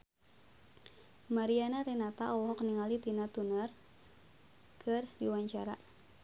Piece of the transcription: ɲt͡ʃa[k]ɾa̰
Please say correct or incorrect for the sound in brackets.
incorrect